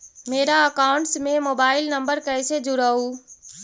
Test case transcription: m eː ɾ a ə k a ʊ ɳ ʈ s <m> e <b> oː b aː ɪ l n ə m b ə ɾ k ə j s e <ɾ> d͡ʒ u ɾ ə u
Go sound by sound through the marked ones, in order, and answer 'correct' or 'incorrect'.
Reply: correct, incorrect, incorrect

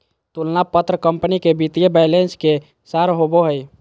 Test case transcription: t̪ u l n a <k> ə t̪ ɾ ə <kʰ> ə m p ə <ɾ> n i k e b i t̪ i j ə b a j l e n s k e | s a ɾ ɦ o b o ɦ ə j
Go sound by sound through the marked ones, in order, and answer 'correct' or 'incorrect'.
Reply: incorrect, incorrect, incorrect

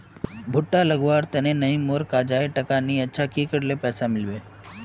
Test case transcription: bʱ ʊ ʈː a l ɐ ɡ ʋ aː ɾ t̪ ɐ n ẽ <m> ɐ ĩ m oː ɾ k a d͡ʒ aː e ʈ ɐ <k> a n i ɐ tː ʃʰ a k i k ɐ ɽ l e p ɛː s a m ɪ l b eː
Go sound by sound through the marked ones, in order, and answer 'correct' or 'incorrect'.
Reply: incorrect, correct

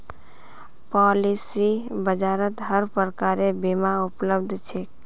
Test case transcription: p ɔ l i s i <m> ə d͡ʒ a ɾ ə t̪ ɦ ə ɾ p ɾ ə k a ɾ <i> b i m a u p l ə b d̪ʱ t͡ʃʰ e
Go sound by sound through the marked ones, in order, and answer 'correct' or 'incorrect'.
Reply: incorrect, incorrect

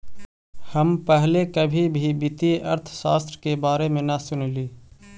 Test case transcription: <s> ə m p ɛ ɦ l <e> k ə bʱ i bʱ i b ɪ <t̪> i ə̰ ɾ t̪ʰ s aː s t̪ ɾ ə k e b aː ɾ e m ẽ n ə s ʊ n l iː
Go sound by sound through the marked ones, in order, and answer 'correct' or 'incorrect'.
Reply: incorrect, correct, correct

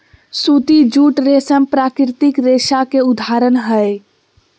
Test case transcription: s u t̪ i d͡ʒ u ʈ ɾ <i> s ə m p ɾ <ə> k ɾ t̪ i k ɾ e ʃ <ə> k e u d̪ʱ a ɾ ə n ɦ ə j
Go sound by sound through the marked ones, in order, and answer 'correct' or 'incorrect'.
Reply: incorrect, incorrect, incorrect

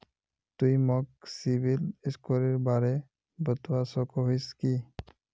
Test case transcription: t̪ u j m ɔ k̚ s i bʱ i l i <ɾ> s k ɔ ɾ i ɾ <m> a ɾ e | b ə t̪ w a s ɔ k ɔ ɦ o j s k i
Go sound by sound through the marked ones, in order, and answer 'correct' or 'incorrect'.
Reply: incorrect, incorrect

